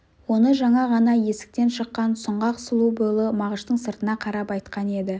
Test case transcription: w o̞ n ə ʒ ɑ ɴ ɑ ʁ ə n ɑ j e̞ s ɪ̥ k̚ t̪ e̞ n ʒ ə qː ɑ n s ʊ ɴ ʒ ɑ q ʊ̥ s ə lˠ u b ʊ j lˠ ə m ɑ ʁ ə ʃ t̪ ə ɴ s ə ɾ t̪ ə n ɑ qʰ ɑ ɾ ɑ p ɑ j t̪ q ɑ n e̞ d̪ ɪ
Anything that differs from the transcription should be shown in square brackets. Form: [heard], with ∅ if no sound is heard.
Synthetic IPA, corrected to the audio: w o̞ n ə ʒ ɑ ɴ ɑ ʁ [ɑ] n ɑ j e̞ s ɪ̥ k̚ t̪ e̞ n [ʃ] ə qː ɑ n s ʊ ɴ [ʁ] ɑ q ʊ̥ s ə lˠ u b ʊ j lˠ ə m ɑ ʁ ə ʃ t̪ ə ɴ s ə ɾ t̪ ə n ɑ qʰ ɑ ɾ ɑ p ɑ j t̪ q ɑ n e̞ d̪ ɪ